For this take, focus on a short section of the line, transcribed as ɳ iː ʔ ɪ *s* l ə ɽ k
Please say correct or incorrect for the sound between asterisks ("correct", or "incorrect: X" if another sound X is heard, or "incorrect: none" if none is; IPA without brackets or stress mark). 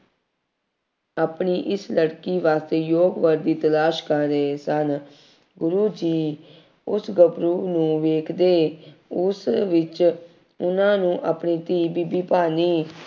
correct